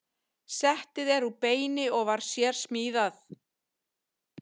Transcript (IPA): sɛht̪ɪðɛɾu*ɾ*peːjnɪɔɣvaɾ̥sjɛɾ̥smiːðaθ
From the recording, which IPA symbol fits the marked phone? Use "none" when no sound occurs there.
none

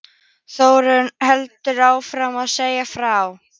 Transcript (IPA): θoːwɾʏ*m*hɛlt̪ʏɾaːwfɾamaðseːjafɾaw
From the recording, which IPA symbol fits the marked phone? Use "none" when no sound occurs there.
n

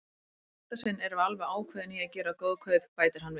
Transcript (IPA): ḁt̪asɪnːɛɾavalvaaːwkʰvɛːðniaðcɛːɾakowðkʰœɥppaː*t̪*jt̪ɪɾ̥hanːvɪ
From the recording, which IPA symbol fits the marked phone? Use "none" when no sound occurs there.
none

